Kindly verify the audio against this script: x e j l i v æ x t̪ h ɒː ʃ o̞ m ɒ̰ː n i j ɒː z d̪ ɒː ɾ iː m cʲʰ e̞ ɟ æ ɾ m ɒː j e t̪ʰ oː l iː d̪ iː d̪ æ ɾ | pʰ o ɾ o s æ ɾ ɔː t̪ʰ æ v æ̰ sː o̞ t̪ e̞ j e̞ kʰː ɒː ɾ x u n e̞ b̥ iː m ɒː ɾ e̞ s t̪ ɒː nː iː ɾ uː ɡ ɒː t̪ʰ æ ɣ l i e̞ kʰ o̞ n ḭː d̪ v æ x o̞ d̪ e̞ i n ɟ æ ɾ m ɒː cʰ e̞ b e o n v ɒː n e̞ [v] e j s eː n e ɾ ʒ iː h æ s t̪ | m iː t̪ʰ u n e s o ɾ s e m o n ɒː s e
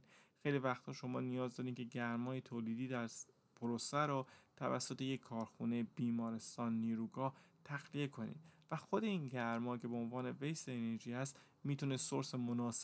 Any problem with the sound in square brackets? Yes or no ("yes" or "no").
no